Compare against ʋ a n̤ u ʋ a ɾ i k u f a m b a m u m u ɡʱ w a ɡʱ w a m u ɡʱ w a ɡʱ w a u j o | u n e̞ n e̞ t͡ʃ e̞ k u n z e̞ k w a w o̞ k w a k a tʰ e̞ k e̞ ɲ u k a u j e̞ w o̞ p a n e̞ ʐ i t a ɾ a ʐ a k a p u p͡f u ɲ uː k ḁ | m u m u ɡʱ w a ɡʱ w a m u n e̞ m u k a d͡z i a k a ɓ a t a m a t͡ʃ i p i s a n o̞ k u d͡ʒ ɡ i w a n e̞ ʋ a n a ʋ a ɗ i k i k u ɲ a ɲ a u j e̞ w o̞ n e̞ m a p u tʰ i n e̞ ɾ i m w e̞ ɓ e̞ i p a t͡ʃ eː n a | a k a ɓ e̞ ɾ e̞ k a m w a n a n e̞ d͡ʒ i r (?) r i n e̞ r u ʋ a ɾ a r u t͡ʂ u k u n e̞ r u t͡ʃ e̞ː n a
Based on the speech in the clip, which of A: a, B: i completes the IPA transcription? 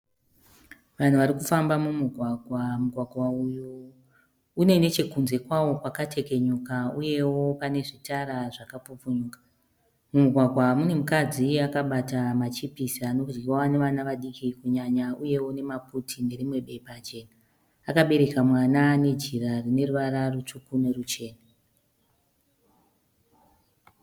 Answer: A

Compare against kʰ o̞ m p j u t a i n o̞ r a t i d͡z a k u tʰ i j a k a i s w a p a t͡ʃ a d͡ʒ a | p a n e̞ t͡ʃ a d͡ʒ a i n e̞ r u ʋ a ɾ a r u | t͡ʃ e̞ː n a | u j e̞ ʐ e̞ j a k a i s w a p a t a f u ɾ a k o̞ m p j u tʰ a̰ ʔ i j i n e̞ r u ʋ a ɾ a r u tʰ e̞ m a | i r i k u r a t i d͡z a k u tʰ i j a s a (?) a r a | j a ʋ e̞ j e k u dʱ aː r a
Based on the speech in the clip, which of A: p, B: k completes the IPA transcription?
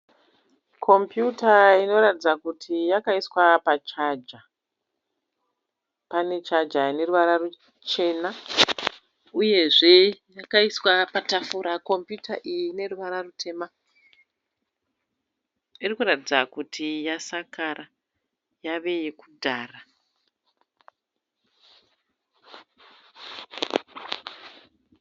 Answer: B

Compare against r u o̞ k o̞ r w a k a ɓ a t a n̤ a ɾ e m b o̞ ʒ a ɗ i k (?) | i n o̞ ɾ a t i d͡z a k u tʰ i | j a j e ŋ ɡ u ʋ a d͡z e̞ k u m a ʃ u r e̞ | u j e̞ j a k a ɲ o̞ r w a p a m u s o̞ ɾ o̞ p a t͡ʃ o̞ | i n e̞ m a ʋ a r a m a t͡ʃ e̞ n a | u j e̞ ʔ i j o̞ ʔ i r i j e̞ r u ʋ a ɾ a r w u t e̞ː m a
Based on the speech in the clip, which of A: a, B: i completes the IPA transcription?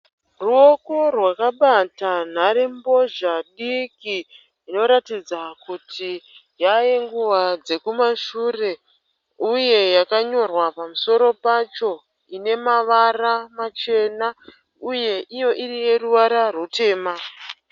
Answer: B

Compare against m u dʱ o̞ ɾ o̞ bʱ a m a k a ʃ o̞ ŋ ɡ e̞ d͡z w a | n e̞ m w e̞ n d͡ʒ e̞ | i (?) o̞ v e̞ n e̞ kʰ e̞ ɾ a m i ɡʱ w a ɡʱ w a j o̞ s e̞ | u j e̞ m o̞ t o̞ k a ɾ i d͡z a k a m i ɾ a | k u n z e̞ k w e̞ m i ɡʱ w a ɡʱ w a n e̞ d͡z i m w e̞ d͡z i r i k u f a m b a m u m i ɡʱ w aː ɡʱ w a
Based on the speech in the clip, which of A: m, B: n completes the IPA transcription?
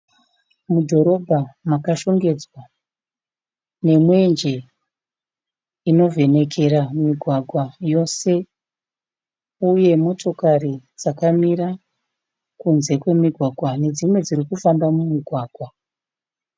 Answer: B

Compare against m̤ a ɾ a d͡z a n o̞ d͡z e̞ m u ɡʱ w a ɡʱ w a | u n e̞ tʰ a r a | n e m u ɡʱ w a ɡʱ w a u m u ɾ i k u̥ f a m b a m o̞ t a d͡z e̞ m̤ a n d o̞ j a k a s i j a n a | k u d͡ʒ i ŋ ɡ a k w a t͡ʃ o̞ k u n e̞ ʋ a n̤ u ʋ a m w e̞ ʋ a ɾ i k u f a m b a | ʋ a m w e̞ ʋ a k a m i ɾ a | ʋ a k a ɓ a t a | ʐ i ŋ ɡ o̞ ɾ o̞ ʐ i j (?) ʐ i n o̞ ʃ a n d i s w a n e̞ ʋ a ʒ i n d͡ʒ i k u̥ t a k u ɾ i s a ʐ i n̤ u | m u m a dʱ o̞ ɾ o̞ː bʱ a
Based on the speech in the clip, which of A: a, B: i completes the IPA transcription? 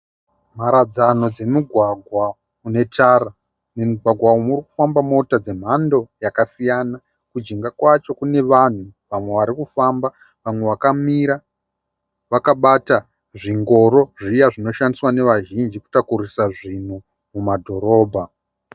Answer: A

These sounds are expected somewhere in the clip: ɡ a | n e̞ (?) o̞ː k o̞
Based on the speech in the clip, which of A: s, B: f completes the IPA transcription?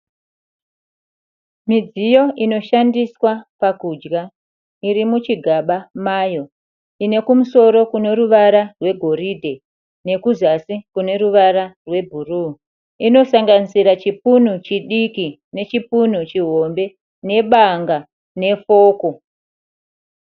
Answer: B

